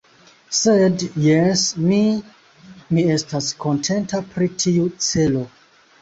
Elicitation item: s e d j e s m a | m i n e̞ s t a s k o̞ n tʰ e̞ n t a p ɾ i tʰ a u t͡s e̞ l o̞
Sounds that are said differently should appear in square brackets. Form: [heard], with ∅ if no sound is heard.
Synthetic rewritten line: s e d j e s m [i] | m i [∅] e̞ s t a s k o̞ n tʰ e̞ n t a p ɾ i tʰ [i] u t͡s e̞ l o̞

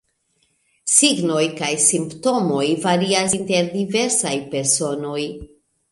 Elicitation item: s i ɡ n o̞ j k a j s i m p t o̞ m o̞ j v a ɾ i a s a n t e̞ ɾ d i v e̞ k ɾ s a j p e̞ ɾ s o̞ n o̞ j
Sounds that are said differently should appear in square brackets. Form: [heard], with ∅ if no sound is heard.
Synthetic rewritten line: s i ɡ n o̞ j k a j s i m p t o̞ m o̞ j v a ɾ i a s [i] n t e̞ ɾ d i v e̞ [∅] ɾ s a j p e̞ ɾ s o̞ n o̞ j

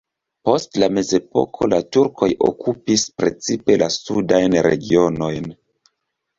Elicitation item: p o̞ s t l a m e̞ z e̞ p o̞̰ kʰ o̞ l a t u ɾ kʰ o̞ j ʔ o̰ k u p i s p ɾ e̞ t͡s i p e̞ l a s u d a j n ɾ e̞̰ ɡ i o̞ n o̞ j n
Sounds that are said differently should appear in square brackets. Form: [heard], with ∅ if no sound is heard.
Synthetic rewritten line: p o̞ s t l a m e̞ z e̞ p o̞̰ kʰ o̞ l a t u ɾ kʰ o̞ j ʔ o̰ k u p i s p ɾ e̞ t͡s i p e̞ l a s u d a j n ɾ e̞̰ ɡ i o̞ n o̞ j n

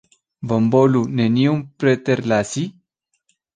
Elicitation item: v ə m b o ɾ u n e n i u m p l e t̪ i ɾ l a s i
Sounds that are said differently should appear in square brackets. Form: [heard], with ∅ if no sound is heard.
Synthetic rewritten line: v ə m b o [l] u n e n i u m p [ɾ] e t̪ [e] ɾ l a s i

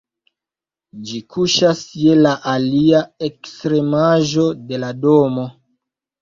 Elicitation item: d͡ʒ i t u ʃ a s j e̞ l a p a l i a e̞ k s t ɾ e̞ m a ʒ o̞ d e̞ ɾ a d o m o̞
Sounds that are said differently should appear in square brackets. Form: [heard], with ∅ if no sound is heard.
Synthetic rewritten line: d͡ʒ i [k] u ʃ a s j e̞ l a [ʔ] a l i a e̞ k s t ɾ e̞ m a ʒ o̞ d e̞ [l] a d o m o̞

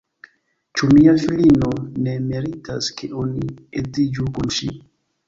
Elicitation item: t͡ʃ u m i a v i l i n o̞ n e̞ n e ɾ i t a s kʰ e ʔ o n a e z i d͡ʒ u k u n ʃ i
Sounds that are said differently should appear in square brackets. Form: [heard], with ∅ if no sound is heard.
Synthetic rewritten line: t͡ʃ u m i a [f] i l i n o̞ n e̞ [m] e ɾ i t a s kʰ e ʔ o n [i] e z i d͡ʒ u k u n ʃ i

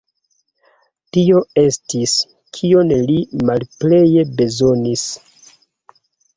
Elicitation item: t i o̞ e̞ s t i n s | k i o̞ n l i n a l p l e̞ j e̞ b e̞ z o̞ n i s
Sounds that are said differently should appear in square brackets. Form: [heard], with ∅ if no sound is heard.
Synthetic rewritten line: t i o̞ e̞ s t i [∅] s | [kʰ] i o̞ n l i [m] a l p l e̞ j e̞ b e̞ z o̞ n i s

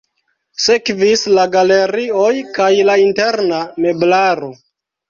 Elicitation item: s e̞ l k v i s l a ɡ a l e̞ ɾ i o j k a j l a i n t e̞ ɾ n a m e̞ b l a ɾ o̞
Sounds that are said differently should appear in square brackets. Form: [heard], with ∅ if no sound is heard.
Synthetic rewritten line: s e̞ [∅] k v i s l a ɡ a l e̞ ɾ i o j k a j l a i n t e̞ ɾ n a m e̞ b l a ɾ o̞

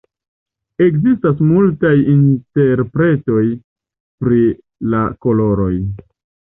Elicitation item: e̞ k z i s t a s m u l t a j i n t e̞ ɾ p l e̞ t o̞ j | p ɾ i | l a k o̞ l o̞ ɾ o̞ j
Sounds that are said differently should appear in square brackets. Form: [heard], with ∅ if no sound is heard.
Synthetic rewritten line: e̞ k z i s t a s m u l t a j i n t e̞ ɾ p [ɾ] e̞ t o̞ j | p ɾ i | l a k o̞ l o̞ ɾ o̞ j

